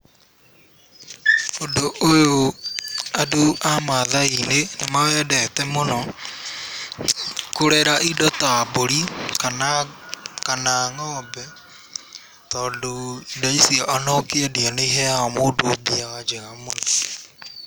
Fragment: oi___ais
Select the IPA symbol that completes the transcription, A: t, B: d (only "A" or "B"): B